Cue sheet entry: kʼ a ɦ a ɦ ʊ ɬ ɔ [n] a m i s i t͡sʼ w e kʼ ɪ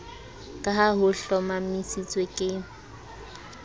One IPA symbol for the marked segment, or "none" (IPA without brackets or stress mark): m